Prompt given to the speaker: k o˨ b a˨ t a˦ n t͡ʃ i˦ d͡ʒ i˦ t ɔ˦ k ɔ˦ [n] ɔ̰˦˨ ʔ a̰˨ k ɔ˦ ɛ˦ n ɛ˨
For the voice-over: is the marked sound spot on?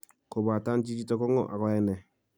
no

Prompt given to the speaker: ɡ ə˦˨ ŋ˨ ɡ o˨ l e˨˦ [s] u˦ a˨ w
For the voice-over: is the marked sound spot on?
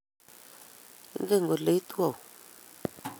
no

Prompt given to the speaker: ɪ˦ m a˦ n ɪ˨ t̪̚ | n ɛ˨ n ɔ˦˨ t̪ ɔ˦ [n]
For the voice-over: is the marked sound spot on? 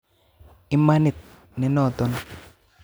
yes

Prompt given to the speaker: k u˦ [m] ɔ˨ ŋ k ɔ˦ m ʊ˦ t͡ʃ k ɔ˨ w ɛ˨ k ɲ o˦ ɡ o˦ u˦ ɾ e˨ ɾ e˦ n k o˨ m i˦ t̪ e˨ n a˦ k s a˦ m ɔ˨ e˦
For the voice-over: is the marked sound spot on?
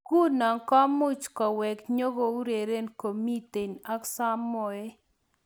no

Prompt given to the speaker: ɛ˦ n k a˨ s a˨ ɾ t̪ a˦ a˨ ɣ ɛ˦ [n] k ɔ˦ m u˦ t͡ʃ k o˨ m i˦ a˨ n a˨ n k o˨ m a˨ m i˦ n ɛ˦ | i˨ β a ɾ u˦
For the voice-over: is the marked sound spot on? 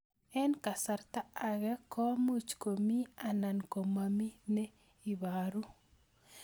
no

